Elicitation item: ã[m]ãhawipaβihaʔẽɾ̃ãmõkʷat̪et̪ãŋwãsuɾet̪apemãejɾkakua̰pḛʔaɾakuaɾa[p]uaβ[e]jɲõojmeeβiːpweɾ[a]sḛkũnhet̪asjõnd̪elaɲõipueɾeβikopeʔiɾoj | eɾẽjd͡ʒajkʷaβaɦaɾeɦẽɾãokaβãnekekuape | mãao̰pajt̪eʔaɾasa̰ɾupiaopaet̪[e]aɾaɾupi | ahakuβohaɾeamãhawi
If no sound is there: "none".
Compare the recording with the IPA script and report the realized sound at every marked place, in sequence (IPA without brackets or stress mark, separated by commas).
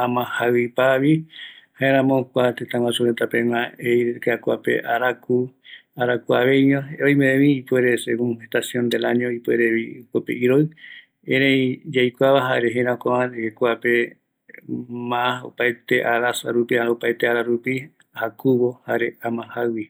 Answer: m, k, e, e, e